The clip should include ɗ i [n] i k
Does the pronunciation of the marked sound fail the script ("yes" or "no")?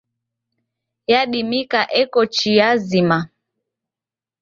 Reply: yes